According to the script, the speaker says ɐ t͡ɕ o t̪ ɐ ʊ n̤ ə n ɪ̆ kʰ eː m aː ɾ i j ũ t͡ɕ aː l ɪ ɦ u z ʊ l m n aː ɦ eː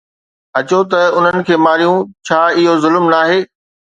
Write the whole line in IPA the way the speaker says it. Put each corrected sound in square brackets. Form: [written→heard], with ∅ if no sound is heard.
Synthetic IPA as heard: ɐ t͡ɕ o t̪ ɐ ʊ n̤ ə n ɪ̆ kʰ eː m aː ɾ i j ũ [t͡ɕ→t͡ɕʰ] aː [l→∅] ɪ ɦ [u→o] z ʊ l m n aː ɦ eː